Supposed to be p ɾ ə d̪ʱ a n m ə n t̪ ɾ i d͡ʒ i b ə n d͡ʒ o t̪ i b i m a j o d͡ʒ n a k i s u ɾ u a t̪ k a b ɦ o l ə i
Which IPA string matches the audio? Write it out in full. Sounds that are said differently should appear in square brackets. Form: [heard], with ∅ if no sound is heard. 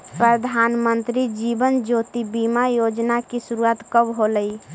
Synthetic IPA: p ɾ ə d̪ʱ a n m ə n t̪ ɾ i d͡ʒ i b ə n d͡ʒ o t̪ i b i m a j o d͡ʒ n a k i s u ɾ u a t̪ k [ə] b ɦ o l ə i